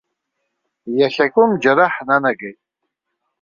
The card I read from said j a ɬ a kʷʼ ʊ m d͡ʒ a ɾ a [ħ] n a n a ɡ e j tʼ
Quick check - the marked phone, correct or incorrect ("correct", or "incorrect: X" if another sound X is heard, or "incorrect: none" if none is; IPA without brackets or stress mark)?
correct